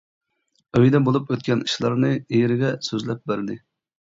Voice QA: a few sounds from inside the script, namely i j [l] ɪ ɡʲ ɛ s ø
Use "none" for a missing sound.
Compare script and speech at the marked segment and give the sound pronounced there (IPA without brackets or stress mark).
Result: ɾ